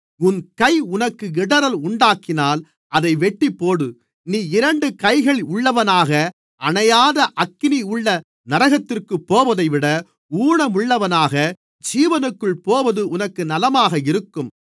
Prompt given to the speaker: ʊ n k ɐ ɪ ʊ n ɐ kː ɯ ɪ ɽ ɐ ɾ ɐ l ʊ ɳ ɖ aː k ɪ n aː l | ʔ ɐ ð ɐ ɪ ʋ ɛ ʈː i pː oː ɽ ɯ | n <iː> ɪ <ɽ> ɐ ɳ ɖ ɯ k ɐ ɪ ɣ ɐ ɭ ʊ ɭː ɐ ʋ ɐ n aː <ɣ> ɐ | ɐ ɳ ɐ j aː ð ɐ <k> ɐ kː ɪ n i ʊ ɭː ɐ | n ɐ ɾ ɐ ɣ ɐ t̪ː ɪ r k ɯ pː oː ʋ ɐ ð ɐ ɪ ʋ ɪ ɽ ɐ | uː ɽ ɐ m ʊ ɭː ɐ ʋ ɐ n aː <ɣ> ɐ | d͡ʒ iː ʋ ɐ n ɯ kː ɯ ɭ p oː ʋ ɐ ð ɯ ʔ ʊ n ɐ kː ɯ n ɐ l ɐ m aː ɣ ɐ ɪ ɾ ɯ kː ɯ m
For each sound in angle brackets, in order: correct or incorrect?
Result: correct, incorrect, correct, incorrect, correct

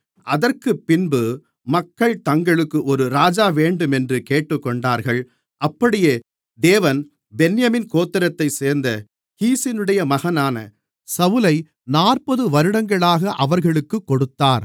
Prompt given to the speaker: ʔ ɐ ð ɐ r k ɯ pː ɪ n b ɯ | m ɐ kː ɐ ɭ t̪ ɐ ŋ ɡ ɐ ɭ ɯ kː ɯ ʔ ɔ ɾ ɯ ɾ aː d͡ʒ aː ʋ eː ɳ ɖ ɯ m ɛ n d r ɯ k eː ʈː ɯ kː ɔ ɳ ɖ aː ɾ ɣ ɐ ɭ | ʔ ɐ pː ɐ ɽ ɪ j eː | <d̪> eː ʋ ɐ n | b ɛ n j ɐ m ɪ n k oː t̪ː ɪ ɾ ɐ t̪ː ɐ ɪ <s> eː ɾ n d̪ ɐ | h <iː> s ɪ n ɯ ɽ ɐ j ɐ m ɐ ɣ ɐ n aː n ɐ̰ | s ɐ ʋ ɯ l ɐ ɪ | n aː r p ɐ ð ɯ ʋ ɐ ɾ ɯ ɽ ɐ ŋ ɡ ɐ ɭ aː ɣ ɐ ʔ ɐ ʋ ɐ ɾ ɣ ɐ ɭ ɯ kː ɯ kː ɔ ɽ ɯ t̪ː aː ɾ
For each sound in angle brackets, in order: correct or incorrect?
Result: correct, correct, correct

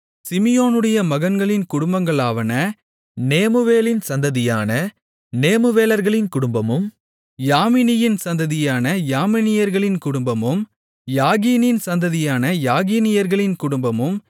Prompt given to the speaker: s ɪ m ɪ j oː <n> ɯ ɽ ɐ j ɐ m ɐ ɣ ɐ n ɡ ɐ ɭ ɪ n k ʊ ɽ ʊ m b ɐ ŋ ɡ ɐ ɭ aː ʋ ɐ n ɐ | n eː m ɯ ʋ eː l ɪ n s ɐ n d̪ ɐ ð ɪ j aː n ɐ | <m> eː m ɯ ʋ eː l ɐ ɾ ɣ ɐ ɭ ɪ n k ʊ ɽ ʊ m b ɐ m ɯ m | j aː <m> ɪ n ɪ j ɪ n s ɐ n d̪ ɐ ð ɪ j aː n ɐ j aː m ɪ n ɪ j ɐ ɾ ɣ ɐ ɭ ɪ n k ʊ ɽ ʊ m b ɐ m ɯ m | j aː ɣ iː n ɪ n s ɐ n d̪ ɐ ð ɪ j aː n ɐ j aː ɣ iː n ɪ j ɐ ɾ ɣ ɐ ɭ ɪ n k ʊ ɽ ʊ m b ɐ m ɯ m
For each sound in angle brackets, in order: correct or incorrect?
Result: correct, incorrect, correct

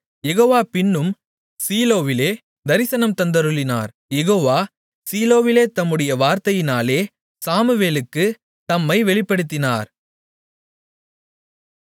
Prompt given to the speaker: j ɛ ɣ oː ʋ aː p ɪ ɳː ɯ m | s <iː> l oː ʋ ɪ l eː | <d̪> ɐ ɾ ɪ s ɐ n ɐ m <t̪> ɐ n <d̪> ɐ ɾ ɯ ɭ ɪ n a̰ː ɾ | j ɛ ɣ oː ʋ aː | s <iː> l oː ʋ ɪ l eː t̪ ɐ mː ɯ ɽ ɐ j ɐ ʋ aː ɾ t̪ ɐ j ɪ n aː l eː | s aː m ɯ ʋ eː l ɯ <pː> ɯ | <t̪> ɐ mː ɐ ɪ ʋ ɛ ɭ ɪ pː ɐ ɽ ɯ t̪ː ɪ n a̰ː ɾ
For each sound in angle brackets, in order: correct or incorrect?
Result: correct, correct, correct, correct, correct, incorrect, correct

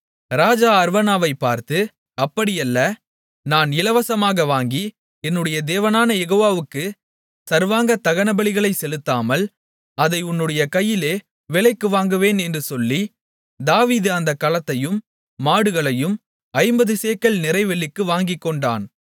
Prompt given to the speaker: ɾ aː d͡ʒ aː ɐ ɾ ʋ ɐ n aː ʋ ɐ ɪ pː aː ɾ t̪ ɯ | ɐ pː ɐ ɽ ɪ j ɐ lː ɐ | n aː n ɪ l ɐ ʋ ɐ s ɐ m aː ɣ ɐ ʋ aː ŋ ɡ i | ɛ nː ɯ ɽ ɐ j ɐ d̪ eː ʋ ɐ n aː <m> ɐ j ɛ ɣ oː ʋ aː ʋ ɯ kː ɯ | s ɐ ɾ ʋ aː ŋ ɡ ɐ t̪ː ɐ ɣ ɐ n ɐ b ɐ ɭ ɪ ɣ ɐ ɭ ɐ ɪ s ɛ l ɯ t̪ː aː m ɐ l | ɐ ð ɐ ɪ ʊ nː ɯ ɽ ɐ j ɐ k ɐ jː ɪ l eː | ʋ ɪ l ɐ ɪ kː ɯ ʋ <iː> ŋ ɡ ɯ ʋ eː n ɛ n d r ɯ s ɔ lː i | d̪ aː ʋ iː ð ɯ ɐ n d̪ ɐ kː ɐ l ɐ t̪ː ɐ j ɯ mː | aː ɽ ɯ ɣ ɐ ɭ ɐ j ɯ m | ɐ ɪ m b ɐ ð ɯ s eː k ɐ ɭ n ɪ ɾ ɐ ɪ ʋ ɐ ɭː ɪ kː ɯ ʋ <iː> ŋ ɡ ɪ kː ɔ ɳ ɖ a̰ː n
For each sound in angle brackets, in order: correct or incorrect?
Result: incorrect, incorrect, incorrect

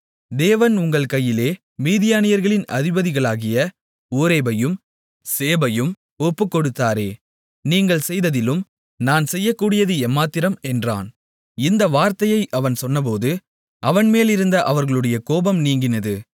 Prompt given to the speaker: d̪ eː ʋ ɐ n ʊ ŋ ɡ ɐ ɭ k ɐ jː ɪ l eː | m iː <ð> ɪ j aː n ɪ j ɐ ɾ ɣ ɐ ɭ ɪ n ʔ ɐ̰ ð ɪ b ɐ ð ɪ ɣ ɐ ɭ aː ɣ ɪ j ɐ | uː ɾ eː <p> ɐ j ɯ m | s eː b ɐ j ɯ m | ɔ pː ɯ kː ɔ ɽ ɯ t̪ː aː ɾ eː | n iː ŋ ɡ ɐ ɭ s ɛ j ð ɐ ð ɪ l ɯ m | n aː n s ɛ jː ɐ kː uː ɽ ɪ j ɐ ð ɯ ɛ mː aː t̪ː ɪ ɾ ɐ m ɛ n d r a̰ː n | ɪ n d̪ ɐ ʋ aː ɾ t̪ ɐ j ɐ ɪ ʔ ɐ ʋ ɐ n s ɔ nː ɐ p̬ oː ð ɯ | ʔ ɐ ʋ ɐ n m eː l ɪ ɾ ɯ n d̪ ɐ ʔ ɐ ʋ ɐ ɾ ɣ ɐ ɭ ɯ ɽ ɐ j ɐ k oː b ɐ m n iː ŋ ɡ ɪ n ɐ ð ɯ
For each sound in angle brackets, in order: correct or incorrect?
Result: correct, incorrect

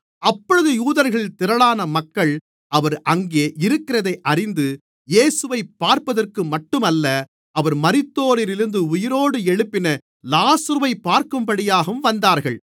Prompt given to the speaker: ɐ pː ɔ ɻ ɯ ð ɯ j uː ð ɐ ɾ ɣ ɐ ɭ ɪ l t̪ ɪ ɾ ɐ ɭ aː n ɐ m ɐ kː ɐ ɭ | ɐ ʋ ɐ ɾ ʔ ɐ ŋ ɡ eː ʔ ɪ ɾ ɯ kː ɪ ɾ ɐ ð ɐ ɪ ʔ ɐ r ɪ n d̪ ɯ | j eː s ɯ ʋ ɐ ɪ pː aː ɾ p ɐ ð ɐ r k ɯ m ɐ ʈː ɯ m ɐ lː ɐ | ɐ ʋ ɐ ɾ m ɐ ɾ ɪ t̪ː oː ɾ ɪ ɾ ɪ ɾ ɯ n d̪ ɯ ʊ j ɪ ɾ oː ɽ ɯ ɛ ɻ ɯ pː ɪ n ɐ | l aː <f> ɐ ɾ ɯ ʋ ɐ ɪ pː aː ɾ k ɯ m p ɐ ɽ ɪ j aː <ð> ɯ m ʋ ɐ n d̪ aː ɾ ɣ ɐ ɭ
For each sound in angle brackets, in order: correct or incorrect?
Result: incorrect, incorrect

